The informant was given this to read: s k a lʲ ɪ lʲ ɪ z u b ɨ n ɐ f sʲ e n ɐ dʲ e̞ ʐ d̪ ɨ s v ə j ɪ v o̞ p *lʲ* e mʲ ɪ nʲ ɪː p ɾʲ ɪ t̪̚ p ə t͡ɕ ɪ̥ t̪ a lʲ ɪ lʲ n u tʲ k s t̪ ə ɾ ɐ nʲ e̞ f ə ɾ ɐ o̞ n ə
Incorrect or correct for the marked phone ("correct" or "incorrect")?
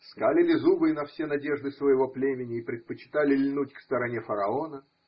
correct